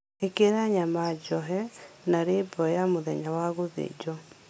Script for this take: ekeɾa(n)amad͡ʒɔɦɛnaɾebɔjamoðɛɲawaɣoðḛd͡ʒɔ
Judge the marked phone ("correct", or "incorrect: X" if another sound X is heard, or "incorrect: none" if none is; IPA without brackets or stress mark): incorrect: ɲ